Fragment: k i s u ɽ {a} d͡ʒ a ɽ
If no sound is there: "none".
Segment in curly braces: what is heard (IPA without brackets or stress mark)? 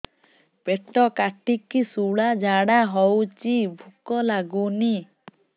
a